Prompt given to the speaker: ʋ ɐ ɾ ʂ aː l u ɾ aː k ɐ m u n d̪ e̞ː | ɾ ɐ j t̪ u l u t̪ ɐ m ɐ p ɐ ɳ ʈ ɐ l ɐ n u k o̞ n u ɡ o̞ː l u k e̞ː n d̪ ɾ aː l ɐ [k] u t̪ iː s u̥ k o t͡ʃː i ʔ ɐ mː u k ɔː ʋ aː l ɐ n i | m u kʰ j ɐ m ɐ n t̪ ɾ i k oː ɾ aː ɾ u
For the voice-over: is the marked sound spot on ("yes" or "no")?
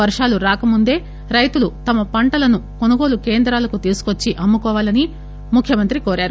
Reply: yes